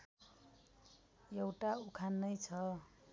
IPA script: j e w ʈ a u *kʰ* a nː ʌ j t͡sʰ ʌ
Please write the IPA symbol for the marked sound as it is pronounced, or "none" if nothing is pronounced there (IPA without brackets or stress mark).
kʰ